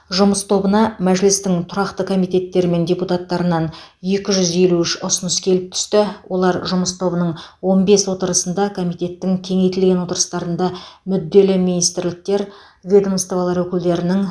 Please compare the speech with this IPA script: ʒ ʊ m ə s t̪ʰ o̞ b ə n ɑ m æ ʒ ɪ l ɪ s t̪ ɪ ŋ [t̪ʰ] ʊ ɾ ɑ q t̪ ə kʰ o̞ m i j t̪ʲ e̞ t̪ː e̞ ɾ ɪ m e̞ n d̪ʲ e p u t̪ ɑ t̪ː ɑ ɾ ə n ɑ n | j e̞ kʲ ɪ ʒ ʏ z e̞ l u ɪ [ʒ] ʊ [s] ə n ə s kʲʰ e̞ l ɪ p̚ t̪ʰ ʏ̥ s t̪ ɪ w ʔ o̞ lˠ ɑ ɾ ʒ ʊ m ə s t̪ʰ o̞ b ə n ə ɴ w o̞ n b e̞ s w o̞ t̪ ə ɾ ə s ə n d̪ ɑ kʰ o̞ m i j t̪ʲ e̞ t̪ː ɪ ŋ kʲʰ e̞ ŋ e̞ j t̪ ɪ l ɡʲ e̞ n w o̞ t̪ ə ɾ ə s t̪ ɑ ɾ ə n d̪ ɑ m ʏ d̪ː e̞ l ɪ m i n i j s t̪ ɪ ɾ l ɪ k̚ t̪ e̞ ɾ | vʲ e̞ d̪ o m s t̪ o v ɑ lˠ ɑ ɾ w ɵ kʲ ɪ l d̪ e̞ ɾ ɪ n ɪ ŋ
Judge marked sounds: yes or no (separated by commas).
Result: yes, no, yes